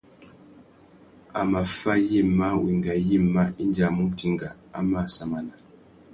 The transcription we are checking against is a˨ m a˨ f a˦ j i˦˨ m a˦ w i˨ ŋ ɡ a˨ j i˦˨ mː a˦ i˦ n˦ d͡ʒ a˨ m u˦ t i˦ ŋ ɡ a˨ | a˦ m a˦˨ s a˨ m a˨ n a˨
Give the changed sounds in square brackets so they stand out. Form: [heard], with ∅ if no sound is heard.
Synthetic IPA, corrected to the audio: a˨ m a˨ f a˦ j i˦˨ m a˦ w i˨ ŋ ɡ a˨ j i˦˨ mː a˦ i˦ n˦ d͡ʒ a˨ m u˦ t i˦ ŋ ɡ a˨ | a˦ m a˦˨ s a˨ m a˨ n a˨